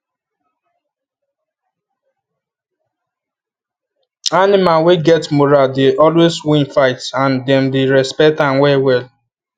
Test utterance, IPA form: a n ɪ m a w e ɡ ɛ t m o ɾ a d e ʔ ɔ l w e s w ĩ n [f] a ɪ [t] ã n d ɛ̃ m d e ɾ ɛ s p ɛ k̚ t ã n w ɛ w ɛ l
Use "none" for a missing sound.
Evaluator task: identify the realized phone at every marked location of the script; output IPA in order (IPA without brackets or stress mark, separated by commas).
f, t